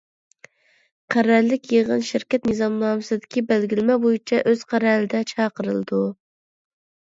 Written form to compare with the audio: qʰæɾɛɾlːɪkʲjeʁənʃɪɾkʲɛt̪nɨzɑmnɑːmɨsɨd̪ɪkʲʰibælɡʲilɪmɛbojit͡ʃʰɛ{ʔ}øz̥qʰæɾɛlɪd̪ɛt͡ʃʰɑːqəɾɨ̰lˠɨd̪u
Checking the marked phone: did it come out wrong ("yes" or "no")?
no